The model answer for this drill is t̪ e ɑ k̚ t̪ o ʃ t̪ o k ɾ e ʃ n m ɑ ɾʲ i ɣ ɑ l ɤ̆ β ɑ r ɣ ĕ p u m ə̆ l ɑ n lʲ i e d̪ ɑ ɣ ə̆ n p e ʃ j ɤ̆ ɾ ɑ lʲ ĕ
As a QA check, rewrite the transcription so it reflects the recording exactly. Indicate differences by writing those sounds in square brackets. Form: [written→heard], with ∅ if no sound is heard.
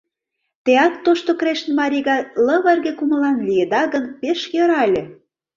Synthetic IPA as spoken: t̪ e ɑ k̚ t̪ o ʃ t̪ o k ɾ e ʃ n m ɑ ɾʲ i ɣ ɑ l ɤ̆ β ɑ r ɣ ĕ [p→k] u m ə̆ l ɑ n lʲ i e d̪ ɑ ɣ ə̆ n p e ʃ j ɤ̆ ɾ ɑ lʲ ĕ